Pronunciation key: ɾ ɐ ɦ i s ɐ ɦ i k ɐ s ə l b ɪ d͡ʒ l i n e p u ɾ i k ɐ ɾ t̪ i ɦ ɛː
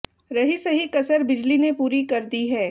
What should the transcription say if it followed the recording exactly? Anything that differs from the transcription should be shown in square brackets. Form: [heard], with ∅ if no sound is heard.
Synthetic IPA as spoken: ɾ ɐ ɦ i s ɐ ɦ i k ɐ s ə [ɾ] b ɪ d͡ʒ l i n e p [uː] ɾ i k ɐ ɾ [d̪] i ɦ ɛː